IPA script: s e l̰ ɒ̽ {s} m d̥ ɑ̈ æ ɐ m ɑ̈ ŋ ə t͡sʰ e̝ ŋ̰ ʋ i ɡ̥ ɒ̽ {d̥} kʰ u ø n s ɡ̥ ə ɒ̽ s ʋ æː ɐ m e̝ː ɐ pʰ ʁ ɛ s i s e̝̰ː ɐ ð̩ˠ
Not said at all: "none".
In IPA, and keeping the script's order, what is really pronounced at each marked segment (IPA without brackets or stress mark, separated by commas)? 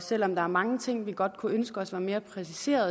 none, d̥